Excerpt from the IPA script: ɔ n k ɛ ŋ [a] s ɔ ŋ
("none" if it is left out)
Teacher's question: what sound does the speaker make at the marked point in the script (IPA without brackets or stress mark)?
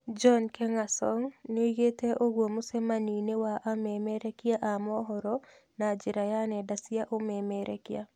a